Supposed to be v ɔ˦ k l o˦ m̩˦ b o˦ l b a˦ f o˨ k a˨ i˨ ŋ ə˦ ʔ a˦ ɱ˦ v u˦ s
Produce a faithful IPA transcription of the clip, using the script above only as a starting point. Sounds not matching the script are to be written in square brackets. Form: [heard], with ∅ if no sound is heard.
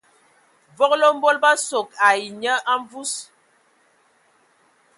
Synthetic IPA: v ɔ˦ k l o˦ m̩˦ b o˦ l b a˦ [s] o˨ k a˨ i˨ [ɲ] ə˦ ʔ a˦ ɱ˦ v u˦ s